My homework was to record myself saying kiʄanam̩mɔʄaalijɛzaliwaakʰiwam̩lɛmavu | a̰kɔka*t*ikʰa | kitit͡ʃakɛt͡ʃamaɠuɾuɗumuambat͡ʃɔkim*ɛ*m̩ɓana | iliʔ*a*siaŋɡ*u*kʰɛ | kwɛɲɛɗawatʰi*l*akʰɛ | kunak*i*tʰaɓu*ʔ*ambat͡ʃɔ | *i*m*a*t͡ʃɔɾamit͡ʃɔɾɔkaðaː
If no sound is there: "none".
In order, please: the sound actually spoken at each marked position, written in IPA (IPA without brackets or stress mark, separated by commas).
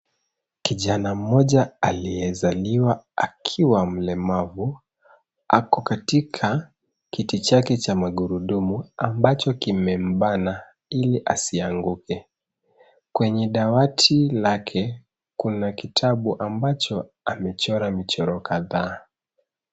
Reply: t, ɛ, a, u, l, i, ʔ, a, ɛ